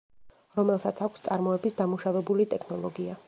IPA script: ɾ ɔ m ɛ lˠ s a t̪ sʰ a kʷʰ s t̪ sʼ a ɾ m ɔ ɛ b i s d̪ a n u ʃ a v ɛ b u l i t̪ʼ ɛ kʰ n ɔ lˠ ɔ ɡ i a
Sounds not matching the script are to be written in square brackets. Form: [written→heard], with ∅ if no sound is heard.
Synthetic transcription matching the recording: ɾ ɔ m ɛ lˠ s a t̪ sʰ a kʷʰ s t̪ sʼ a ɾ m ɔ ɛ b i s d̪ a [n→m] u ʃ a v ɛ b u l i t̪ʼ ɛ kʰ n ɔ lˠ ɔ ɡ i a